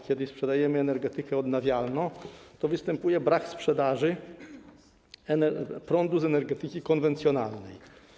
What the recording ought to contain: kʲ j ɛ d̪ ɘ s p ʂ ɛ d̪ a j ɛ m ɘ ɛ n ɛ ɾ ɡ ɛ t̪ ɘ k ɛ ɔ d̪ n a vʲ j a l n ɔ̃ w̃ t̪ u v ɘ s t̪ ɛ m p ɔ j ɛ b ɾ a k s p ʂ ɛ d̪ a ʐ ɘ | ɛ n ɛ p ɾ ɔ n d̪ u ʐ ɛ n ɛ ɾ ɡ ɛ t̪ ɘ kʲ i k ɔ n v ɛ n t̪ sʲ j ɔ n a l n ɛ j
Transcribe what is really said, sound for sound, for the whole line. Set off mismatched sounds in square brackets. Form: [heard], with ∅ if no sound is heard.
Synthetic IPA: kʲ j ɛ d̪ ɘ s p ʂ ɛ d̪ a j ɛ m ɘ ɛ n ɛ ɾ ɡ ɛ t̪ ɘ k ɛ ɔ d̪ n a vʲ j a l n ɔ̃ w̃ t̪ [ɔ] v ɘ s t̪ ɛ m p [u] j ɛ b ɾ a k s p ʂ ɛ d̪ a ʐ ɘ | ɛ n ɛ p ɾ ɔ n d̪ u [z] ɛ n ɛ ɾ ɡ ɛ t̪ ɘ kʲ i k ɔ n v ɛ n t̪ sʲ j ɔ n a l n ɛ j